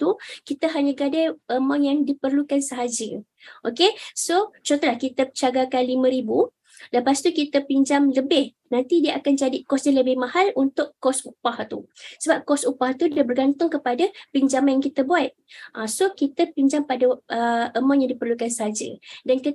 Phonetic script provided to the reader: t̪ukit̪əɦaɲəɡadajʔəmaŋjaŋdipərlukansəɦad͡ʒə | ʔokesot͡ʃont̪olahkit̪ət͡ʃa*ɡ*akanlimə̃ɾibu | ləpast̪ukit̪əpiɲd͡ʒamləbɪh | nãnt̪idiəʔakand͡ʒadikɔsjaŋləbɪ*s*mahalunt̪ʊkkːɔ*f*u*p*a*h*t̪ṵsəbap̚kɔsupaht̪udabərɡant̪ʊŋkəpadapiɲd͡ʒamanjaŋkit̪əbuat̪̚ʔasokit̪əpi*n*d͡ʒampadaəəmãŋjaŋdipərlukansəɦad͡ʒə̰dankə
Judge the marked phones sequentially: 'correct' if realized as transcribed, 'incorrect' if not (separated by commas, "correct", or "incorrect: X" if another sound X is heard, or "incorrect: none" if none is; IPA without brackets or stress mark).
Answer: correct, incorrect: h, incorrect: s, correct, correct, incorrect: ɲ